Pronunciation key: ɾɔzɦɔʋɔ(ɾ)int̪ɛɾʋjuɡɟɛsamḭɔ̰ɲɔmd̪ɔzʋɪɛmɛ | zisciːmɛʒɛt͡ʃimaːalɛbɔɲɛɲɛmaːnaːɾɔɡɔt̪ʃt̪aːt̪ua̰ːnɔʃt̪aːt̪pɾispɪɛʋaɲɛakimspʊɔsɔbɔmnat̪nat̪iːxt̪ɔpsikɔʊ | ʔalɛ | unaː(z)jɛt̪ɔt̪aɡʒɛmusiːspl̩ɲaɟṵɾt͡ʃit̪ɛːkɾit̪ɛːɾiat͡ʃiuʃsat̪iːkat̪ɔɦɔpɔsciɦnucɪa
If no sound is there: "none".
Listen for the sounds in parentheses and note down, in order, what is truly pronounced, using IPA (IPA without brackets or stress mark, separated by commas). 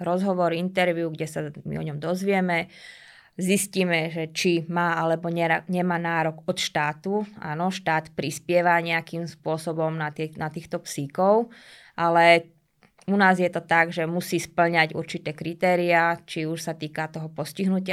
ɾ, z